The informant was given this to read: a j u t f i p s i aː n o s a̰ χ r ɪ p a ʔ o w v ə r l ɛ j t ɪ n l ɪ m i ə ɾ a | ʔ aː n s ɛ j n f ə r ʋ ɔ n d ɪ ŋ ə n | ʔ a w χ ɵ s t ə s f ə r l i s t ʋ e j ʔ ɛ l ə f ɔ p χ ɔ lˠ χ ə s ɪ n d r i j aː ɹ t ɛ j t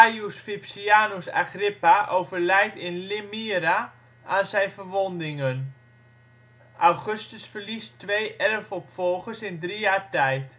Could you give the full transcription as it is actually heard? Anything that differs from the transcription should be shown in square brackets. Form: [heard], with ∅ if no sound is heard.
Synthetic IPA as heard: a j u [s] f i p s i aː n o s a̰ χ r ɪ p a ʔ o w v ə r l ɛ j t ɪ n l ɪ m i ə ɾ a | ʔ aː n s ɛ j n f ə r ʋ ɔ n d ɪ ŋ ə n | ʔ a w χ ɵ s t ə s f ə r l i s t ʋ e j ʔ ɛ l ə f ɔ p [f] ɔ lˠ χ ə s ɪ n d r i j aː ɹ t ɛ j t